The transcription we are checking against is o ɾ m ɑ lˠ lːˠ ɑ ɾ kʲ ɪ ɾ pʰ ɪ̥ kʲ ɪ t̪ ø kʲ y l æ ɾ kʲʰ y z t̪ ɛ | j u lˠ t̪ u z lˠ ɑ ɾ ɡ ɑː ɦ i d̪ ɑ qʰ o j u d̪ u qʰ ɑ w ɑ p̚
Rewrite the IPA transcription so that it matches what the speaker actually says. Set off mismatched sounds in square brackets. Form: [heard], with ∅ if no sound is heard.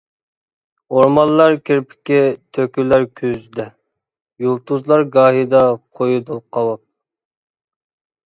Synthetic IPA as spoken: o ɾ m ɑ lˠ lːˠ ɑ ɾ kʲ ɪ ɾ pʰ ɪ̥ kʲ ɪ [t̪ʰ] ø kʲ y l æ ɾ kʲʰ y z [d̪] ɛ | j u lˠ t̪ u z lˠ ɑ ɾ ɡ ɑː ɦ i d̪ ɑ qʰ o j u d̪ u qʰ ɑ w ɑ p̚

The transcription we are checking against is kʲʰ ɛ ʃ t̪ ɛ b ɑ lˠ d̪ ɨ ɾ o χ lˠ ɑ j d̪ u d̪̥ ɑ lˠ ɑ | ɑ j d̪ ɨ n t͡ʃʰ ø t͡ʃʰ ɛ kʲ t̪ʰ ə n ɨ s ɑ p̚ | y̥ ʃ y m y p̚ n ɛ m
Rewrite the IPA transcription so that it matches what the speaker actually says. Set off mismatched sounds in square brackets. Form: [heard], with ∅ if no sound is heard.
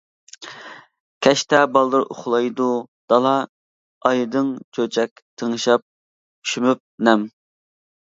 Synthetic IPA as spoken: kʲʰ ɛ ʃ t̪ ɛ b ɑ lˠ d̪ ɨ ɾ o χ lˠ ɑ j d̪ u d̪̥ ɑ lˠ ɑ | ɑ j d̪ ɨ [ŋ] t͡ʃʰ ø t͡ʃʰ ɛ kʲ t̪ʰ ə [ŋ] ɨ [ʃ] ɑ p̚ | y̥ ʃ y m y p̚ n ɛ m

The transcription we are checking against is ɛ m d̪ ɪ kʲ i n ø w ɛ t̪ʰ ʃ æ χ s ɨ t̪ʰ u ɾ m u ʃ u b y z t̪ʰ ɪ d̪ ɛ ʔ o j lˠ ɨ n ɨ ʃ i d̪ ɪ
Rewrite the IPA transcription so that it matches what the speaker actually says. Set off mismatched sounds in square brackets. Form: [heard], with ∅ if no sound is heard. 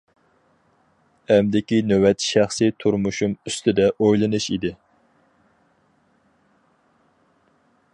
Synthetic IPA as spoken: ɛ m d̪ ɪ kʲ i n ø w ɛ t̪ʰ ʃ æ χ s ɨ t̪ʰ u ɾ m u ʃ u [m] y [s] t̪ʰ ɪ d̪ ɛ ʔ o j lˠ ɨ n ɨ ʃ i d̪ ɪ

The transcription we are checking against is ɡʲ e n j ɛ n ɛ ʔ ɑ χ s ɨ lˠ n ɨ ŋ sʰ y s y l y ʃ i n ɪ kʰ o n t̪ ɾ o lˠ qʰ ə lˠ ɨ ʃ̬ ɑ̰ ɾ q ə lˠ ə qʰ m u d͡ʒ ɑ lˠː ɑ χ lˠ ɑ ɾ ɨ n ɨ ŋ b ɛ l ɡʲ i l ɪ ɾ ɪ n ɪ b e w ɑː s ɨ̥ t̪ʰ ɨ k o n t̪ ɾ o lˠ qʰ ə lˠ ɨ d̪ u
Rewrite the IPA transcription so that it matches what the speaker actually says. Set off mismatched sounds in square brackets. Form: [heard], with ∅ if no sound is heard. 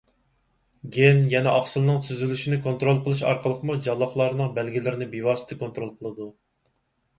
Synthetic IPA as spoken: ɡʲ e n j ɛ n ɛ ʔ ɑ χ s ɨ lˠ n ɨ ŋ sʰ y [z] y l y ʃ i n ɪ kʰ o n t̪ ɾ o lˠ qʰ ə lˠ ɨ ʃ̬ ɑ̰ ɾ q ə lˠ ə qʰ m u d͡ʒ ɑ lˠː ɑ χ lˠ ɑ ɾ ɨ n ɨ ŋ b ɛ l ɡʲ i l ɪ ɾ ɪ n ɪ b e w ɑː s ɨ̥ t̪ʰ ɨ k o n t̪ ɾ o lˠ qʰ ə lˠ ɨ d̪ u

